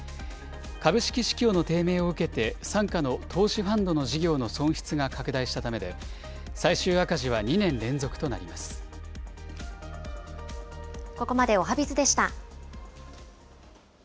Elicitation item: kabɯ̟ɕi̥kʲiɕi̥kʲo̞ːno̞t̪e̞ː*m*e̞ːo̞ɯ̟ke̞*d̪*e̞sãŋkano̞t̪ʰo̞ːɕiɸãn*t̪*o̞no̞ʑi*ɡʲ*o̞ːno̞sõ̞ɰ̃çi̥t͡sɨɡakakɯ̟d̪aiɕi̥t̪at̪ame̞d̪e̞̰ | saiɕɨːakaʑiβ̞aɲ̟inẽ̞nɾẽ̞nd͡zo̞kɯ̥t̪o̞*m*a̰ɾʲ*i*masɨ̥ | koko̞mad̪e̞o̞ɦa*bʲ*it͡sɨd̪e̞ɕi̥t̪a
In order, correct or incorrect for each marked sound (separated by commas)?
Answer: correct, incorrect, incorrect, correct, incorrect, correct, correct